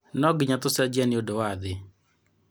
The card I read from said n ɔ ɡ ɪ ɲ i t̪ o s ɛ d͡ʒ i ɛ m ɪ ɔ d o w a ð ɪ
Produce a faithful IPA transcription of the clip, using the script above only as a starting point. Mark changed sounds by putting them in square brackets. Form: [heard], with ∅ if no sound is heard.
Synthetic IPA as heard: n ɔ ɡ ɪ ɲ [a] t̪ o s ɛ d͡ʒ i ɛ [n] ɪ [o] d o w a ð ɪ